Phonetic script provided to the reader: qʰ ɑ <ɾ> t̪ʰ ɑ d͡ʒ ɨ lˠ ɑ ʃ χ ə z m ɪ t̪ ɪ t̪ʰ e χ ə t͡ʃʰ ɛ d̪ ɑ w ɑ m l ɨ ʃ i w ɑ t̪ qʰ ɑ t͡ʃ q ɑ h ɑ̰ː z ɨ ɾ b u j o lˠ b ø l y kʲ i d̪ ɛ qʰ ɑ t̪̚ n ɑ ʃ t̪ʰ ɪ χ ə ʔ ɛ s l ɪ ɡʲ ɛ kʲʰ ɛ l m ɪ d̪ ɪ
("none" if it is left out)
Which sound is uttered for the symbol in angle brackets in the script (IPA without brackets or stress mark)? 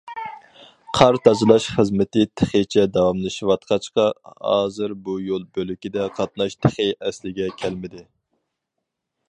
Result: ɾ